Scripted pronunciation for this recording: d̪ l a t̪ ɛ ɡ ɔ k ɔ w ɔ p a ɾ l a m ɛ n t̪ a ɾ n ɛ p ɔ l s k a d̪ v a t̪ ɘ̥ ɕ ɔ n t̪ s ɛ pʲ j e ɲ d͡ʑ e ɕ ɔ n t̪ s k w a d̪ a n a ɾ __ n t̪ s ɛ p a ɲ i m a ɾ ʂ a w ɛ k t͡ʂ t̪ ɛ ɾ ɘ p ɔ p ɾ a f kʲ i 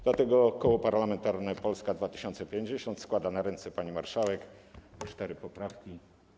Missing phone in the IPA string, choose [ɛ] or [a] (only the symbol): ɛ